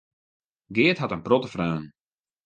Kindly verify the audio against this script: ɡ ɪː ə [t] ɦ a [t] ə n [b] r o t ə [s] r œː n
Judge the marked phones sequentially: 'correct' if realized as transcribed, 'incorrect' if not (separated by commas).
correct, correct, incorrect, incorrect